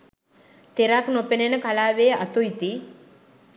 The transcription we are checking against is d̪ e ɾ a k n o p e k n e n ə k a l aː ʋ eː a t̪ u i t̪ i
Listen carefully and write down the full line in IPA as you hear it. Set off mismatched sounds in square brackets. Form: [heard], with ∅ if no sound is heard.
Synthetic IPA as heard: [t̪] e ɾ a k n o p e [∅] n e n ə k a l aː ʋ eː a t̪ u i t̪ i